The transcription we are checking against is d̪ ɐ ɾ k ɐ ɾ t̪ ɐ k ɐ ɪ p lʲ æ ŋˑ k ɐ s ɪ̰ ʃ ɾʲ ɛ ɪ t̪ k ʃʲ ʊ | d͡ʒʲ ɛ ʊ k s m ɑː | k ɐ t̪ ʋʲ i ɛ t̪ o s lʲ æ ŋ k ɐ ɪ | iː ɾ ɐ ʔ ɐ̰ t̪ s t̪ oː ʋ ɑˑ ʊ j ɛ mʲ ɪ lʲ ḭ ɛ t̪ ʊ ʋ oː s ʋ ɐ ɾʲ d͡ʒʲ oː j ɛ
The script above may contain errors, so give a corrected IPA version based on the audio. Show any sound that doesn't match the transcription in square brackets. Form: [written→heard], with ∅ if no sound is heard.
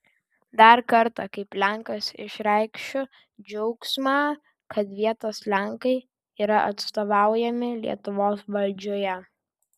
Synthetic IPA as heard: d̪ ɐ ɾ k ɐ ɾ t̪ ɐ k ɐ ɪ p lʲ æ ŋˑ k ɐ s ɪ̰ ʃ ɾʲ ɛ ɪ [t̪→∅] k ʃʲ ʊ | d͡ʒʲ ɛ ʊ k s m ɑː | k ɐ t̪ ʋʲ i ɛ t̪ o s lʲ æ ŋ k ɐ ɪ | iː ɾ ɐ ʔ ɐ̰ t̪ s t̪ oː ʋ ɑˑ ʊ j ɛ mʲ ɪ lʲ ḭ ɛ t̪ ʊ ʋ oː s ʋ ɐ [ɾʲ→lʲ] d͡ʒʲ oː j ɛ